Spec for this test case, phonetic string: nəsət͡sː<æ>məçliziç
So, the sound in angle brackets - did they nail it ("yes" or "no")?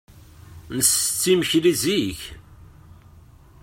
no